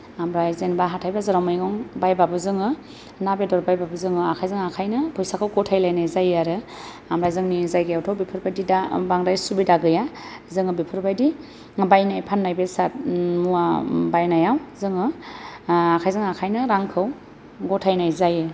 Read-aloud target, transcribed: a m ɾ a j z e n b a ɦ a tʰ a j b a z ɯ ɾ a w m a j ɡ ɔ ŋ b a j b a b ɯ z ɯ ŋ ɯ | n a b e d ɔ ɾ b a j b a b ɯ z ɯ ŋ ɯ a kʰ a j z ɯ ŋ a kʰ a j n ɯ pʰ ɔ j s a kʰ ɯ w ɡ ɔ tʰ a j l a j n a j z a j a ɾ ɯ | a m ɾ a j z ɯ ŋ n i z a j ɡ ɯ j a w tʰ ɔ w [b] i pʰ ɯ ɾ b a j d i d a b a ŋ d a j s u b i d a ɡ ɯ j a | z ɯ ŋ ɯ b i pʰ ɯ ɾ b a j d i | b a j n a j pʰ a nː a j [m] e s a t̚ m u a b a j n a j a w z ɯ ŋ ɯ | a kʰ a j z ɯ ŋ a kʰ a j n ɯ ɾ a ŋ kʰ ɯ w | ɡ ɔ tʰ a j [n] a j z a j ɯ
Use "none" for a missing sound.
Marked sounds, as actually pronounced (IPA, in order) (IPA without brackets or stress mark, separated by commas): b, b, n